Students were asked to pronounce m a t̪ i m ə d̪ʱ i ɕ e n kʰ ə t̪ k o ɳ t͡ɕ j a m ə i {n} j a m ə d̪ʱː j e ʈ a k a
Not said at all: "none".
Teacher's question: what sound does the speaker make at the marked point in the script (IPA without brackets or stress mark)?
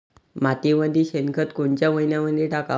n